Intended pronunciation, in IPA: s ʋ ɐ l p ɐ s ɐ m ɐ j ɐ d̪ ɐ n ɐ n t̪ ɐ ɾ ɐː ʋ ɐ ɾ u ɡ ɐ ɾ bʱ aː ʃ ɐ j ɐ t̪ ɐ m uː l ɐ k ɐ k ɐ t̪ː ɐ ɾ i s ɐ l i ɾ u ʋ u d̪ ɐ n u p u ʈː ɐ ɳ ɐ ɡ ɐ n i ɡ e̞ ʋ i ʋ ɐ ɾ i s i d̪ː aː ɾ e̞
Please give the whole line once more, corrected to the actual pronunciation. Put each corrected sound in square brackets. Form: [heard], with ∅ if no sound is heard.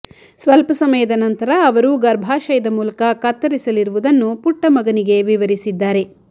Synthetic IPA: s ʋ ɐ l p ɐ s ɐ m ɐ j ɐ d̪ ɐ n ɐ n t̪ ɐ ɾ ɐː ʋ ɐ ɾ u ɡ ɐ ɾ bʱ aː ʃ ɐ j ɐ [d̪] ɐ m uː l ɐ k ɐ k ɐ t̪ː ɐ ɾ i s ɐ l i ɾ u ʋ u d̪ ɐ [nː] u p u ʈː ɐ [m] ɐ ɡ ɐ n i ɡ e̞ ʋ i ʋ ɐ ɾ i s i d̪ː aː ɾ e̞

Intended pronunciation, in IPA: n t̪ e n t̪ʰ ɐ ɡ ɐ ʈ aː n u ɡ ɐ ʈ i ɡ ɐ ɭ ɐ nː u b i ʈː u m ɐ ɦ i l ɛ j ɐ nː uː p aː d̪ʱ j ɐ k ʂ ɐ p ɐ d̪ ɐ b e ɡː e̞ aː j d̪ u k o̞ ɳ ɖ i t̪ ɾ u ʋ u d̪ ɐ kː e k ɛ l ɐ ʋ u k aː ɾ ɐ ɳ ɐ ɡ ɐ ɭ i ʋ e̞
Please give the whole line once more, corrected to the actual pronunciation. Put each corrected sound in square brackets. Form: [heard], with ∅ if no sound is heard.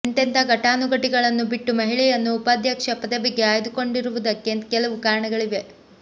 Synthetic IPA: n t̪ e n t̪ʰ ɐ ɡ ɐ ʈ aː n u ɡ ɐ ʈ i ɡ ɐ ɭ ɐ nː u b i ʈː u m ɐ ɦ i [ɭ] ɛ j ɐ nː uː p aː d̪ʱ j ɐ k ʂ ɐ p ɐ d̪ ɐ b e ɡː e̞ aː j d̪ u k o̞ ɳ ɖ i [∅] ɾ u ʋ u d̪ ɐ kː e k ɛ l ɐ ʋ u k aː ɾ ɐ ɳ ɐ ɡ ɐ ɭ i ʋ e̞

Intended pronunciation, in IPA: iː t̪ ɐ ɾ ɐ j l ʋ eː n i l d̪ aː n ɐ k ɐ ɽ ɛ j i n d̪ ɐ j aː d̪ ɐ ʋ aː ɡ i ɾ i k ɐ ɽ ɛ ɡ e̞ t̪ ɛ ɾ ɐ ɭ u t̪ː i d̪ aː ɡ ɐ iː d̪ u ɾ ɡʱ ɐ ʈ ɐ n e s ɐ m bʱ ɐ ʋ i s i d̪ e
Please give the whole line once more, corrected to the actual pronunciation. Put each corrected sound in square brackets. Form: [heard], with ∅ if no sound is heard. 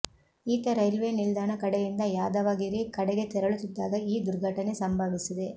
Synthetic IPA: iː t̪ ɐ ɾ ɐ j l ʋ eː n i l d̪ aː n ɐ k ɐ ɽ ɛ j i n d̪ ɐ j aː d̪ ɐ ʋ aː ɡ i ɾ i k ɐ ɽ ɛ ɡ e̞ t̪ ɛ ɾ ɐ ɭ u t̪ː i [d̪ː] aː ɡ ɐ iː d̪ u ɾ ɡʱ ɐ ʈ ɐ n e s ɐ m bʱ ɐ ʋ i s i d̪ e

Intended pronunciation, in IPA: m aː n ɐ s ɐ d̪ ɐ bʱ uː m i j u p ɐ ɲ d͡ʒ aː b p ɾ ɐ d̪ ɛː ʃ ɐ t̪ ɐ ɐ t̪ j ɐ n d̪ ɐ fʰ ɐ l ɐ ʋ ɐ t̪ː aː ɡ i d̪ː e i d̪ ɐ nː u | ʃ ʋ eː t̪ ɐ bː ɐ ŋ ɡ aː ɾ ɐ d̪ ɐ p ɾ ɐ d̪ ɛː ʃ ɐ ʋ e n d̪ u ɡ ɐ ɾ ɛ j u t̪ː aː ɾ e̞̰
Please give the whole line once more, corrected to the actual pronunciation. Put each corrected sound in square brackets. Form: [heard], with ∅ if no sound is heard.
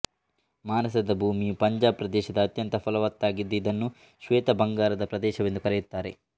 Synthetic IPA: m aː n ɐ s ɐ d̪ ɐ bʱ uː m i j u p ɐ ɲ d͡ʒ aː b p ɾ ɐ d̪ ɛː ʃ ɐ [d̪] ɐ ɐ t̪ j ɐ n [t̪] ɐ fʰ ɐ l ɐ ʋ ɐ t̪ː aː ɡ i d̪ː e i d̪ ɐ nː u | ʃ ʋ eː t̪ ɐ [b] ɐ ŋ ɡ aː ɾ ɐ d̪ ɐ p ɾ ɐ d̪ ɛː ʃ ɐ ʋ e n d̪ u [k] ɐ ɾ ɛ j u t̪ː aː ɾ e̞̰

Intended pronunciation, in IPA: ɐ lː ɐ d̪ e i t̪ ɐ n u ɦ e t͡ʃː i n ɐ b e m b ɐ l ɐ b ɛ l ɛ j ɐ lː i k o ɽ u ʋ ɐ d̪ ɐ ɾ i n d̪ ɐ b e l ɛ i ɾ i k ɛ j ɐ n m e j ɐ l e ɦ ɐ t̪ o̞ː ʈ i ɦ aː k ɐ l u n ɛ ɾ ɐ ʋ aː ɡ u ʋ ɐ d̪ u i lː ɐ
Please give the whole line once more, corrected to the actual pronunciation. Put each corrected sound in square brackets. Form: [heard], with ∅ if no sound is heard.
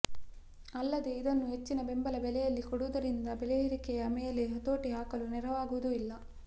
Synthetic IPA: ɐ lː ɐ d̪ e i [d̪] ɐ [nː] u ɦ e t͡ʃː i n ɐ b e m b ɐ l ɐ b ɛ l ɛ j ɐ lː i k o ɽ u ʋ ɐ d̪ ɐ ɾ i n d̪ ɐ b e l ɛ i ɾ i k ɛ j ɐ [∅] m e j ɐ l e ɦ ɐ t̪ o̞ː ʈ i ɦ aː k ɐ l u n ɛ ɾ ɐ ʋ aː ɡ u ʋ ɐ d̪ u i lː ɐ

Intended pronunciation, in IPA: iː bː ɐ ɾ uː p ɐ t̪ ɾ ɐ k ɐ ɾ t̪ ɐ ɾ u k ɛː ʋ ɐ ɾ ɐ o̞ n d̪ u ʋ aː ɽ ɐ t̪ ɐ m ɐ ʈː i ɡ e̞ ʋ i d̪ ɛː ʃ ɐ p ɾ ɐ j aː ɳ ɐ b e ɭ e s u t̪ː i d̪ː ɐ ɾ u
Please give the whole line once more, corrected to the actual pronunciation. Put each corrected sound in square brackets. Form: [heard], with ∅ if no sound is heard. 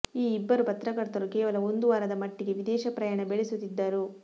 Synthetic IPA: iː bː ɐ ɾ [u] p ɐ t̪ ɾ ɐ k ɐ ɾ t̪ ɐ ɾ u k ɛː ʋ ɐ [l] ɐ o̞ n d̪ u ʋ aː [ɾ] ɐ [d̪] ɐ m ɐ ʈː i ɡ e̞ ʋ i d̪ ɛː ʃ ɐ p ɾ ɐ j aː ɳ ɐ b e ɭ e s u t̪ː i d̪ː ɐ ɾ u

